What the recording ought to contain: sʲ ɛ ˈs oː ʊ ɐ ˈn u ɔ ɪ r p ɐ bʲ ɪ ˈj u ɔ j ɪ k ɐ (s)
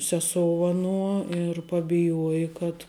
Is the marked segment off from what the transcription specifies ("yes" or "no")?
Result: yes